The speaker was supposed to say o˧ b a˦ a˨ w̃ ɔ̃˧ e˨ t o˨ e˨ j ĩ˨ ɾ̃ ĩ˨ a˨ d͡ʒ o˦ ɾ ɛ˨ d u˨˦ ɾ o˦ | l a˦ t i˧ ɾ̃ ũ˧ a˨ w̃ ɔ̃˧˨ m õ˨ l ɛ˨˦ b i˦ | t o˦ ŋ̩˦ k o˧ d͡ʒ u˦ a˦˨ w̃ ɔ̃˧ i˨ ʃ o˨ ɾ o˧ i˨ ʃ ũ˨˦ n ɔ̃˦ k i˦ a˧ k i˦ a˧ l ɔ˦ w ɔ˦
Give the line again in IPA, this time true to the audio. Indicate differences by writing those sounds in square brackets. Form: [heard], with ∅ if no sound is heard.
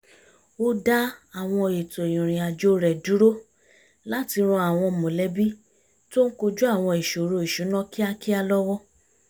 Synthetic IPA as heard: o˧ [d] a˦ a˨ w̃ ɔ̃˧ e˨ t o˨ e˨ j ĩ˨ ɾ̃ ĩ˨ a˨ d͡ʒ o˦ ɾ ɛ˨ d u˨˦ ɾ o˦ | l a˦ t i˧ ɾ̃ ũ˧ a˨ w̃ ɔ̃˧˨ m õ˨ l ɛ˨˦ b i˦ | t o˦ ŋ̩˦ k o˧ d͡ʒ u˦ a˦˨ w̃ ɔ̃˧ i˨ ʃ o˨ ɾ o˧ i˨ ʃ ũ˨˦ n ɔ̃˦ k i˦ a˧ k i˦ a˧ l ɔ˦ w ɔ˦